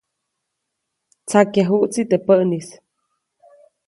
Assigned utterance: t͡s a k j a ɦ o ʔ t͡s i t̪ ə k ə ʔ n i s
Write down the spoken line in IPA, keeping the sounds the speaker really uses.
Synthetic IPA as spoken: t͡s a k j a ɦ u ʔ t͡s i t̪ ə p ə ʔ n i s

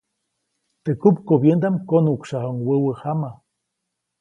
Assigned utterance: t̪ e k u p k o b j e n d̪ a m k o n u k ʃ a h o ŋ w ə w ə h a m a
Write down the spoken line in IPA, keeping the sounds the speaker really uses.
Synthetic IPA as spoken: t̪ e k u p k o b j e n d̪ a m k o n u k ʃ a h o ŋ w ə w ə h a m a

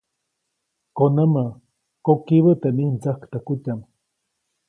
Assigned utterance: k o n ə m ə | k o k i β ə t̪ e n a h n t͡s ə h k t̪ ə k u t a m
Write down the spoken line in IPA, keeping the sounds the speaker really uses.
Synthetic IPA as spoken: k o n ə m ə | k o k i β ə t̪ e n i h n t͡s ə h k t̪ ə k u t a m

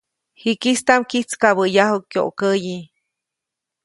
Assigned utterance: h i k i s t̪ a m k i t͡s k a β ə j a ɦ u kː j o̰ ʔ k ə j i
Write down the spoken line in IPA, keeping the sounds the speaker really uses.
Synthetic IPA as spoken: h i k i s t̪ a m k i t͡s k a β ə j a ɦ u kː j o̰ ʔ k ə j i

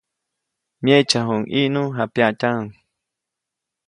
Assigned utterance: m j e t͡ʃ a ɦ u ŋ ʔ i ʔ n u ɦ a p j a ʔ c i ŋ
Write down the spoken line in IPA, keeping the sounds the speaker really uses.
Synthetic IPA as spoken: m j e t͡ʃ a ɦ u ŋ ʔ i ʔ n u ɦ a p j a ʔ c a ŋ

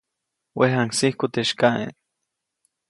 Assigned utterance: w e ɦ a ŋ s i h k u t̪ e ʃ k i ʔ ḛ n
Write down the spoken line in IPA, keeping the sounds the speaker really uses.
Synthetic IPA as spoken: w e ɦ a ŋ s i h k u t̪ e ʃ k a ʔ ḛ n

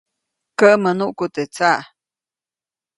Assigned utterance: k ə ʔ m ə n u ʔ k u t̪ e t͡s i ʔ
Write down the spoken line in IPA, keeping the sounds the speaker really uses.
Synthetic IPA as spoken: k ə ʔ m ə n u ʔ k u t̪ e t͡s a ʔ

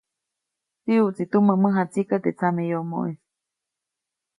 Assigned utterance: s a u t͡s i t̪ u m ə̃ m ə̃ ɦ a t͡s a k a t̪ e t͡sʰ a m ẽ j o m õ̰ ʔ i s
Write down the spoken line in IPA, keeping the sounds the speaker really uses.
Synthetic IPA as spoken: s i u t͡s i t̪ u m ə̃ m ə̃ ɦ a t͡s i k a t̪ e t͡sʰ a m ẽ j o m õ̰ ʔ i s

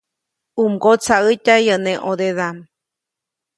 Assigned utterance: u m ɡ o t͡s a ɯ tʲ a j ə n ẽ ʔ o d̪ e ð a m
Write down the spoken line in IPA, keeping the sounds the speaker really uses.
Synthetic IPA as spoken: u m ɡ o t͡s a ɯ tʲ a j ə n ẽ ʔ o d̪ e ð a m

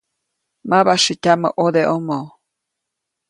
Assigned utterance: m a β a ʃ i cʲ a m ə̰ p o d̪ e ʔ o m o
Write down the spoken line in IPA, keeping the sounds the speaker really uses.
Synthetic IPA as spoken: m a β a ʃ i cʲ a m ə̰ ʔ o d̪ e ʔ o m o

